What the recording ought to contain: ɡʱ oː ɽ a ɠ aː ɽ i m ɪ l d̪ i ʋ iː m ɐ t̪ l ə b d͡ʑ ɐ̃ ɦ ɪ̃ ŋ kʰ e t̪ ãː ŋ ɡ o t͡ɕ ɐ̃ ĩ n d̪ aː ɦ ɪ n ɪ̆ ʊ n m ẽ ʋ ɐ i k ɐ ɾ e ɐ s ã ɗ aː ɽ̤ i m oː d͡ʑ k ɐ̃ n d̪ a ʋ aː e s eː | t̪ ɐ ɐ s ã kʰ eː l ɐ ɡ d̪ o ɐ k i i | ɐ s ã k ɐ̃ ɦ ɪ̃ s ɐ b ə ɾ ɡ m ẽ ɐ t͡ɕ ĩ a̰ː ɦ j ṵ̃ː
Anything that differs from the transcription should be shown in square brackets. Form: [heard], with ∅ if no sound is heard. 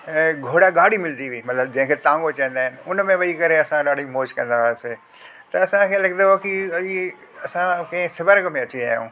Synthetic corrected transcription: ɡʱ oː ɽ a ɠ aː ɽ i m ɪ l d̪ i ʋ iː m ɐ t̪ l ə b d͡ʑ ɐ̃ ɦ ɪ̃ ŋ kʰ e t̪ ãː ŋ ɡ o t͡ɕ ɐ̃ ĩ n d̪ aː ɦ ɪ n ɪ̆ ʊ n m ẽ ʋ ɐ i k ɐ ɾ e ɐ s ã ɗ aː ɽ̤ i m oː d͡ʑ k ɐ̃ n d̪ a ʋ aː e s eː | t̪ ɐ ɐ s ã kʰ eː l ɐ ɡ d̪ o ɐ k i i | ɐ s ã k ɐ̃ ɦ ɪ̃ s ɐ b ə ɾ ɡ m ẽ ɐ t͡ɕ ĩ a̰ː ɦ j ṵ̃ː